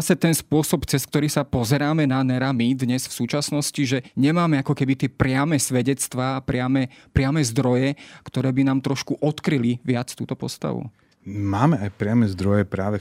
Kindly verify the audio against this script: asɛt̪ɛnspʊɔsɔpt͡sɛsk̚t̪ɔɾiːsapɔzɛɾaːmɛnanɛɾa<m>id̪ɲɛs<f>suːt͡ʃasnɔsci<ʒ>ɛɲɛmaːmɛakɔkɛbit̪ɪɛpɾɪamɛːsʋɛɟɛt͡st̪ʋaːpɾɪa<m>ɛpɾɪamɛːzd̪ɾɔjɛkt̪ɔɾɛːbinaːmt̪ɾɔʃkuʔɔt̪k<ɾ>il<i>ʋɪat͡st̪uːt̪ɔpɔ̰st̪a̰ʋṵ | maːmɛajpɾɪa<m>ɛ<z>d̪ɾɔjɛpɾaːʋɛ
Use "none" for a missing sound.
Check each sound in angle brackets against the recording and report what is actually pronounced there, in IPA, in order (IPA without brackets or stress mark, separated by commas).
m, f, ʒ, m, ɾ, i, m, z